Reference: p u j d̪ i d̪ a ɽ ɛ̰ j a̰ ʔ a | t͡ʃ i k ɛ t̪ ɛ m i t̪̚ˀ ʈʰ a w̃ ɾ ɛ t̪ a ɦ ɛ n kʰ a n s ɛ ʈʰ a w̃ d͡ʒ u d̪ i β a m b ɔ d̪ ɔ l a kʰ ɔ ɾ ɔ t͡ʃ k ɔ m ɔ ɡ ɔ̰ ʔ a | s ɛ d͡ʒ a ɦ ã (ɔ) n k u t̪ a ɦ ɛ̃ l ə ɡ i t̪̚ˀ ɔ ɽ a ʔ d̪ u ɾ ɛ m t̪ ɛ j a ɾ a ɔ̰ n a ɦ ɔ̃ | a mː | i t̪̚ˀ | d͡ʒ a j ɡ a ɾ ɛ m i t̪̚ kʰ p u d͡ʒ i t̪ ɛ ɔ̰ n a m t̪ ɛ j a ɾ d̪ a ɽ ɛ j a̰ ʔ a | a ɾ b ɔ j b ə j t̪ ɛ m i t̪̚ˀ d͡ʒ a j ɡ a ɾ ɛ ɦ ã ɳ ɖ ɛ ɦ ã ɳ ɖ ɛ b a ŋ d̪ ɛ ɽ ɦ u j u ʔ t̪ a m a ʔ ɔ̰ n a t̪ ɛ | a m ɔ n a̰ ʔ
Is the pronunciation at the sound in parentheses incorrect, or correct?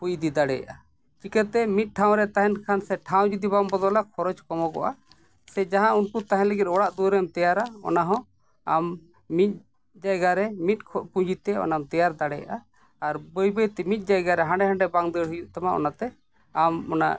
incorrect